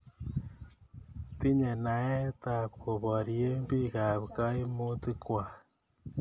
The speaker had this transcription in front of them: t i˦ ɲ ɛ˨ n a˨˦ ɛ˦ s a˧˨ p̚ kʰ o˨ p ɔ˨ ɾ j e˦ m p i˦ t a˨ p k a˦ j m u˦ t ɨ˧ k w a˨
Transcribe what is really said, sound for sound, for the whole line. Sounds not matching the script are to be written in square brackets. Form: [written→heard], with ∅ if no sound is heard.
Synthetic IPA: t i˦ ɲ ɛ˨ n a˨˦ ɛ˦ [s→t] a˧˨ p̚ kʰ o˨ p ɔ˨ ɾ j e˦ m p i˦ [t→k] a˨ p k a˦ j m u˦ t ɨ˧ k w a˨

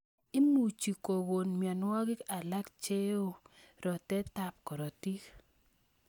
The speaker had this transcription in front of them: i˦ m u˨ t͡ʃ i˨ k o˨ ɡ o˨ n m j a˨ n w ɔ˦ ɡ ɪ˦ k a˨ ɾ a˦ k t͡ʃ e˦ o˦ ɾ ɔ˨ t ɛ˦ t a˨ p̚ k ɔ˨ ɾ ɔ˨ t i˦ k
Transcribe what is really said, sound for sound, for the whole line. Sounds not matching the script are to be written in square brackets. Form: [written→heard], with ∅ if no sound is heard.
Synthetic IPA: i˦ m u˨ t͡ʃ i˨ k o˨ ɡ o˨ n m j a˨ n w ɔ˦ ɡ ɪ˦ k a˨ [ɾ→l] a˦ k t͡ʃ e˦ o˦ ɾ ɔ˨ t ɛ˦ t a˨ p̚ k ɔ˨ ɾ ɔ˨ t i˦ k

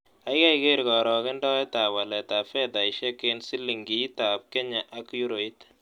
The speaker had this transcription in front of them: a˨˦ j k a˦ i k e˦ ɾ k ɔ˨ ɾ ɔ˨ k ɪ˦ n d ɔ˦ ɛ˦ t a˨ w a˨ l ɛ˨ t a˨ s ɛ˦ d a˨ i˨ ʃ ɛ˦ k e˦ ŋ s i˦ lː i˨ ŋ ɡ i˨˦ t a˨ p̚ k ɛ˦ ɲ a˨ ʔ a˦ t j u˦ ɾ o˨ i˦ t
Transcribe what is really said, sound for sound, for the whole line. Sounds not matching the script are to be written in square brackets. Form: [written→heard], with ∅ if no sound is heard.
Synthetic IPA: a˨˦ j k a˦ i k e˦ ɾ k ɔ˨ ɾ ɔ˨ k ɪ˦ n d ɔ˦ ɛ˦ t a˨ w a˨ l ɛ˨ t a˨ [s→f] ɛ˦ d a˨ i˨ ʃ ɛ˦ k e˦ [ŋ→n] s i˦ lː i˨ ŋ ɡ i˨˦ t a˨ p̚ k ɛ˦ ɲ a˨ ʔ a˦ [t→k] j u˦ ɾ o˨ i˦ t

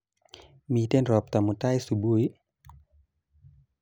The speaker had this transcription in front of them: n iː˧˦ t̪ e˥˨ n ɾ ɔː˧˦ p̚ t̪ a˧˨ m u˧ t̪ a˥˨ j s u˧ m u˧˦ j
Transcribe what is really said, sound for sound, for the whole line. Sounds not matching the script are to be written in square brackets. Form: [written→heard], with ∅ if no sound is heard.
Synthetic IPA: [n→m] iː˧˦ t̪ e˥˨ n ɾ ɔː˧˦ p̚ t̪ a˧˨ m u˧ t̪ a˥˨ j s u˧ [m→b] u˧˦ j

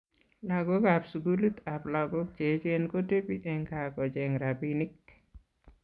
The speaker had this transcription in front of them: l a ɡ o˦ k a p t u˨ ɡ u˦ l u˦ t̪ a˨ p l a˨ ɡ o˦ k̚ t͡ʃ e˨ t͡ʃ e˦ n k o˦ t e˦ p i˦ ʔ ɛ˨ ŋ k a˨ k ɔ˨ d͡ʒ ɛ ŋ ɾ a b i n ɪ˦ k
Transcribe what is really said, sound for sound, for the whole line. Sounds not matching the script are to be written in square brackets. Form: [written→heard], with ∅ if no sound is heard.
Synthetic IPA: l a ɡ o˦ k a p [t→s] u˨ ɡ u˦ l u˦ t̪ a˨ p l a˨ ɡ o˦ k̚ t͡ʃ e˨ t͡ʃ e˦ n k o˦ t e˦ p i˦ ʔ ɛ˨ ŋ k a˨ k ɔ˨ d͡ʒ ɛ ŋ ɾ a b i n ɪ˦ k

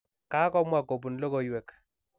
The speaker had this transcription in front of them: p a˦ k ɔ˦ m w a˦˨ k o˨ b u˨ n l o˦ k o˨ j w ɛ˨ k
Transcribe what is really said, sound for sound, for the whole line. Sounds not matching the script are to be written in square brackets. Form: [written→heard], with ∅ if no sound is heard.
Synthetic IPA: [p→k] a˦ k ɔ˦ m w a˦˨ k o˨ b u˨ n l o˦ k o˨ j w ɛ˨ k

